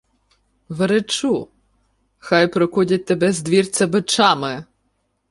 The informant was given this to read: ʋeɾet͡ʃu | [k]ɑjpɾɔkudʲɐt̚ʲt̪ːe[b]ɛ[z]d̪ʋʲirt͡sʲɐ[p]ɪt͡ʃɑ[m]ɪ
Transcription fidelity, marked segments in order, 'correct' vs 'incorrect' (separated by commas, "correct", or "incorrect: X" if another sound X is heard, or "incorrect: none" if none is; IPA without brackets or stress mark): incorrect: x, correct, correct, incorrect: b, correct